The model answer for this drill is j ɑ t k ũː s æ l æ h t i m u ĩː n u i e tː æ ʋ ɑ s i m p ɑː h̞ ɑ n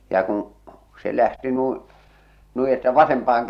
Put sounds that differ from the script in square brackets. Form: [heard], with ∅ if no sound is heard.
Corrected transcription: j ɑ [∅] k ũː s [e] l æ h t i [n] u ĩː n u i e tː æ ʋ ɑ s [e] m p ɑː h̞ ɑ [ŋ]